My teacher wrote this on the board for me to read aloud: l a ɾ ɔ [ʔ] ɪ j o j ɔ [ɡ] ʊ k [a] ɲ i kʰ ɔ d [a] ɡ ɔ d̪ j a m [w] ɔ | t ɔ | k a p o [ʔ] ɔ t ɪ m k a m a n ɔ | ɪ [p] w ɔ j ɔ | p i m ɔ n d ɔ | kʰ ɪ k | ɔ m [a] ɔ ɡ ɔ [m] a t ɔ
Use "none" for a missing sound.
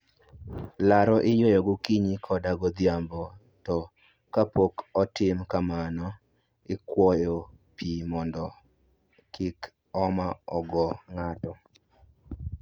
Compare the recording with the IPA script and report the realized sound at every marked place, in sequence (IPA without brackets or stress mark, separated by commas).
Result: ʔ, ɡ, i, a, b, k, k, a, ŋ